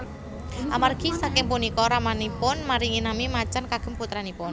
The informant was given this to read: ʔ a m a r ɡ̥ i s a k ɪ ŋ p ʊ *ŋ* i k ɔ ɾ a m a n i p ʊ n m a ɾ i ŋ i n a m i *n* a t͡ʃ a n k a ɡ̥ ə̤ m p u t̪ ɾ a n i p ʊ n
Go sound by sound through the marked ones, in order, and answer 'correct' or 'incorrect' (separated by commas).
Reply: incorrect, incorrect